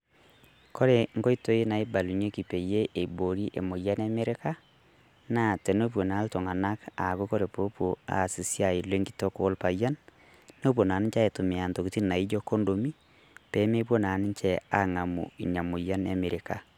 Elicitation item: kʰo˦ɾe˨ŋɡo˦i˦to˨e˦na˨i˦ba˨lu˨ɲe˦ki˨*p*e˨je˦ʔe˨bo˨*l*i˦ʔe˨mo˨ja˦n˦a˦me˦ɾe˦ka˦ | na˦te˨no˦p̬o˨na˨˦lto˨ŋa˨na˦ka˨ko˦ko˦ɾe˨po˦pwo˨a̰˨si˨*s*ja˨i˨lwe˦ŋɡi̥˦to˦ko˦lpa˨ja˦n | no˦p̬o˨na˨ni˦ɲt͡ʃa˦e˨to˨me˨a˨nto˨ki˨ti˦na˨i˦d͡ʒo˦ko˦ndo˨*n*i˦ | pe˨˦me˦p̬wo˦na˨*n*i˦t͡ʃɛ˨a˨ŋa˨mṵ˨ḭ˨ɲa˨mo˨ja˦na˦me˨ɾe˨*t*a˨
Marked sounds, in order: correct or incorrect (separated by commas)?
correct, incorrect, correct, incorrect, correct, incorrect